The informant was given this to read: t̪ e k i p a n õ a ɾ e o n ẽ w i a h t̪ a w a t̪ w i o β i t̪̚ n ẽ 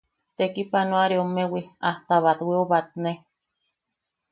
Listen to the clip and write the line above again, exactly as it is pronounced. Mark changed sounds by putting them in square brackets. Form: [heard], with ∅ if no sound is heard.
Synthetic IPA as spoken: t̪ e k i p a n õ a ɾ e o [m] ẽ w i a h t̪ a [β] a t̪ w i o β [a] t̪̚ n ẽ